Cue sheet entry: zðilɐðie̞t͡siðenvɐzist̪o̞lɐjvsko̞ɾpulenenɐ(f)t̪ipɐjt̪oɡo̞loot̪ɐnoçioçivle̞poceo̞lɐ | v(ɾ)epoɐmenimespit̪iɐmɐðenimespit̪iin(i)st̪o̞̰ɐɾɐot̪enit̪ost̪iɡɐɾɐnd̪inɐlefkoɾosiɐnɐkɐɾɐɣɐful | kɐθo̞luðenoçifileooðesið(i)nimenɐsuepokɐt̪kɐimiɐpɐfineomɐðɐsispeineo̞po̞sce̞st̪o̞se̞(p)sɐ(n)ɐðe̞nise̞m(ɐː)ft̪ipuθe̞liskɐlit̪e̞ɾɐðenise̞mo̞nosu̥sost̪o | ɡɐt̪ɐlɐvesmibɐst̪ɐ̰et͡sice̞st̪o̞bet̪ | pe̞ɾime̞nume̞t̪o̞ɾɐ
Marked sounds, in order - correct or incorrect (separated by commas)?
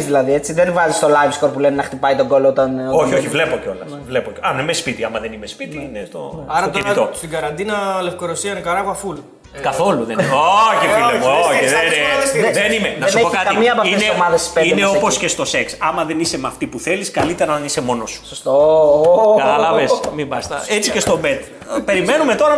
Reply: incorrect, incorrect, incorrect, incorrect, incorrect, incorrect, incorrect